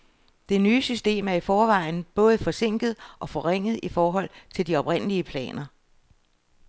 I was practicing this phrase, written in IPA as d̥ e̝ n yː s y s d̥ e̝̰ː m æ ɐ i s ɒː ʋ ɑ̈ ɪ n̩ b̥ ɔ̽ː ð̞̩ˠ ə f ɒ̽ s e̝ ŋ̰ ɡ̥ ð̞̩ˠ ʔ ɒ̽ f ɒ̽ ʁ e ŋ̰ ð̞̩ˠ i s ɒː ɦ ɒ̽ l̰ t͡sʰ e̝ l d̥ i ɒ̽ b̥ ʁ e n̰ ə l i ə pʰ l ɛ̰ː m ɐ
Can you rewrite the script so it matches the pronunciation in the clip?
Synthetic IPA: d̥ e̝ n yː s y s d̥ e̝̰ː m æ ɐ i f ɒː ʋ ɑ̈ ɪ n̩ b̥ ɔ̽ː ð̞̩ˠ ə f ɒ̽ s e̝ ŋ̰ ɡ̥ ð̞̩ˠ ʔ ɒ̽ f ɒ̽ ʁ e ŋ̰ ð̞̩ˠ i f ɒː ɦ ɒ̽ l̰ t͡sʰ e̝ l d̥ i ɒ̽ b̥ ʁ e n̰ ə l i ə pʰ l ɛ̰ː n ɐ